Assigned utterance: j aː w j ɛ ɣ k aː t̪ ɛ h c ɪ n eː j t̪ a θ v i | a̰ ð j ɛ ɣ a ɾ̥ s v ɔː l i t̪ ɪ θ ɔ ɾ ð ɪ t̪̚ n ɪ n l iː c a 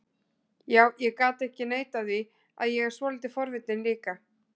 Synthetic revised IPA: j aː w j ɛ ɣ k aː t̪ ɛ h c ɪ n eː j t̪ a ð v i | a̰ ð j ɛ ɣ ɛ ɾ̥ s v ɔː l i t̪ ɪ f ɔ ɾ v ɪ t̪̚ n ɪ n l iː k a